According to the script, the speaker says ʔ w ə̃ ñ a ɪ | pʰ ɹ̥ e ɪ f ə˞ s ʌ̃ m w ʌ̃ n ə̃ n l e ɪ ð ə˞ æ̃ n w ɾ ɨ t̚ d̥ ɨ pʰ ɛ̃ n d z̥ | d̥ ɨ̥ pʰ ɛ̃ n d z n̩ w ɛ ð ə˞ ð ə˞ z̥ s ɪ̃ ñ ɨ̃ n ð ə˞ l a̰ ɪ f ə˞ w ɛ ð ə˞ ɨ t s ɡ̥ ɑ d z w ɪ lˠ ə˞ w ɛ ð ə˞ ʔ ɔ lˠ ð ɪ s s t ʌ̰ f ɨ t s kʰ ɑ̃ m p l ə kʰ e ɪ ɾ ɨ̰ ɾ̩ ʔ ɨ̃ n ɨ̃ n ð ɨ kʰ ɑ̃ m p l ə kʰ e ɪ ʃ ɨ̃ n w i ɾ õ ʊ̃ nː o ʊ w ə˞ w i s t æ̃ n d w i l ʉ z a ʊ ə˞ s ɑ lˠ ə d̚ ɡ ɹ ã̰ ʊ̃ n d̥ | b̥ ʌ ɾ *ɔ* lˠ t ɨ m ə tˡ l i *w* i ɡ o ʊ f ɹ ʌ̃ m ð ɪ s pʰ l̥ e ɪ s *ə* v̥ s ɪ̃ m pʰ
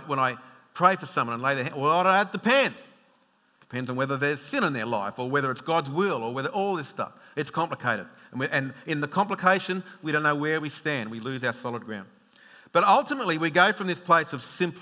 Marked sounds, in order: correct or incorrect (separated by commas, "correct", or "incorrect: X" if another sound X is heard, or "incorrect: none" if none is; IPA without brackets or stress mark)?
incorrect: ʌ, correct, incorrect: ʌ